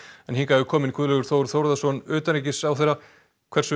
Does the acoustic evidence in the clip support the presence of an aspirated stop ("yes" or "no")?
yes